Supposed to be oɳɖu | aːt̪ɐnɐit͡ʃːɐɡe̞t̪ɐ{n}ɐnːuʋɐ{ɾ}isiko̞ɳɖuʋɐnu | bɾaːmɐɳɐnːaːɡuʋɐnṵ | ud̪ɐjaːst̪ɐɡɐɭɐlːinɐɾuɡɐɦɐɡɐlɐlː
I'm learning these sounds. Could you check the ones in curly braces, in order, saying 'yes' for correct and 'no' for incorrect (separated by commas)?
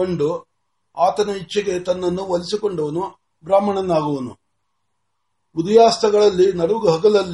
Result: no, no